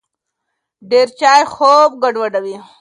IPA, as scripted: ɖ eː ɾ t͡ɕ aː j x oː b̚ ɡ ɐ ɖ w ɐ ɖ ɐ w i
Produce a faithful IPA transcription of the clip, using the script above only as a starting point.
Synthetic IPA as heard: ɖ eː ɾ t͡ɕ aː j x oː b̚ ɡ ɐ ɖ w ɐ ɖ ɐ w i

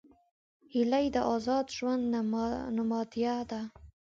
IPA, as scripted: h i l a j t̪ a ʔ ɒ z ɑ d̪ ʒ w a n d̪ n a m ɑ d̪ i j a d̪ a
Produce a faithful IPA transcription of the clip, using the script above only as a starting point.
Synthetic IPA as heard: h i l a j d̪ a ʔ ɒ z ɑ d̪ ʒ w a n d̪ n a m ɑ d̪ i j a d̪ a

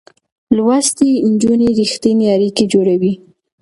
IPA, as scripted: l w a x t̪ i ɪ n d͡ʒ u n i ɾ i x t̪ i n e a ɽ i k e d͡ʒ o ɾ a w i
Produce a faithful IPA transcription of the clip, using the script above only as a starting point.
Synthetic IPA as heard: l w a s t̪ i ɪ n d͡ʒ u n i ɾ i x t̪ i n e a ɾ i k e d͡ʒ o ɽ a w i

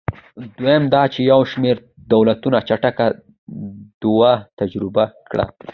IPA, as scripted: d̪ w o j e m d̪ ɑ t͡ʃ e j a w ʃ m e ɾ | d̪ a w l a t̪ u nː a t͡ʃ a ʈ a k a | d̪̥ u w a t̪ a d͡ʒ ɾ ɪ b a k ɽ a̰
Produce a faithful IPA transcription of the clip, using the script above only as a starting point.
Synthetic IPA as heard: d̪ w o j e m d̪ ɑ t͡ʃ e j a w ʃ m e ɾ | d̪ a w l a t̪ u n a t͡ʃ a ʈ a k a | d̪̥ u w a t̪ a d͡ʒ ɾ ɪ b a k ɽ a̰

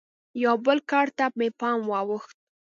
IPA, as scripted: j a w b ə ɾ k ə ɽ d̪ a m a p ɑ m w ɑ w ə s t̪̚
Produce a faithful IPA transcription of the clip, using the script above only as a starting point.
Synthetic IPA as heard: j a w b ə l k ɑ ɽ t̪ a m e p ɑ m w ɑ w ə x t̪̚

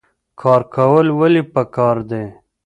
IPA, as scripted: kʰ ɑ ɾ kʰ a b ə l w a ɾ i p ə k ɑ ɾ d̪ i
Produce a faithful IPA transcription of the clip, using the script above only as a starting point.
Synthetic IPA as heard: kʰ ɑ ɾ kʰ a w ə l w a l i p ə k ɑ ɾ d̪ e

